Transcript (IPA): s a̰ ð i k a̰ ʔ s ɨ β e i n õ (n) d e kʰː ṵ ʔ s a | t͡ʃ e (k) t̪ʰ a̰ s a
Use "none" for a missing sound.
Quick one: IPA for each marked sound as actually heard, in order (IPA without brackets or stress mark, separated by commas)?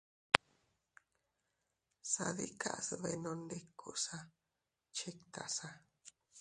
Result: n, k